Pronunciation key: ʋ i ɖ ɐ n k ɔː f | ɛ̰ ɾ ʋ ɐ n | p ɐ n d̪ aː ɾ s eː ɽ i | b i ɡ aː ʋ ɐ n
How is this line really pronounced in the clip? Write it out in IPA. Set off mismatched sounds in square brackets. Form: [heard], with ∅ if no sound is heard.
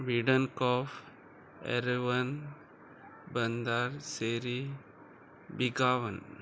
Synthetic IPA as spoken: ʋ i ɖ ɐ n k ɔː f | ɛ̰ ɾ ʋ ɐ n | [b] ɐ n d̪ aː ɾ s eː [ɾ] i | b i ɡ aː ʋ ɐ n